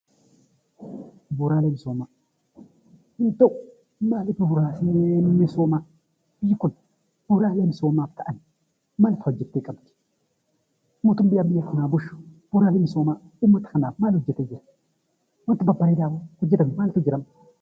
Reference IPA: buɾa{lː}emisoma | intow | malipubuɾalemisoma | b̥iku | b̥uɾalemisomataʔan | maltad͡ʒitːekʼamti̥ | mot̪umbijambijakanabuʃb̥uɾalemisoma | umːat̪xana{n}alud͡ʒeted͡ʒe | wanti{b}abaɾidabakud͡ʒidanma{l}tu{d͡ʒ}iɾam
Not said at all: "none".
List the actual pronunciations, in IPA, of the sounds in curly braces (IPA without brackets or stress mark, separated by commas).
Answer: l, m, b, l, d͡ʒ